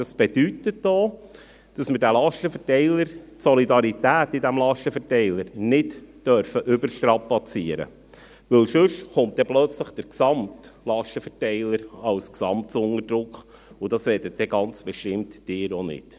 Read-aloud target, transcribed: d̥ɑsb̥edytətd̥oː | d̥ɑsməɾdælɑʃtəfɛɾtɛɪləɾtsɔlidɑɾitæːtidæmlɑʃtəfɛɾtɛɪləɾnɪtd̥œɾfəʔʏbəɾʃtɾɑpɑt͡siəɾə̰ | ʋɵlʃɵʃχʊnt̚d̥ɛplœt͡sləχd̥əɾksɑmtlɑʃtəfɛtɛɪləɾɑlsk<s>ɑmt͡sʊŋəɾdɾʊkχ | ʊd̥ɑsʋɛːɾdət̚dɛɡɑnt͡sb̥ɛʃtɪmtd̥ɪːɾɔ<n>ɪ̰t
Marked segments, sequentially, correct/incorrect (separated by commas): correct, correct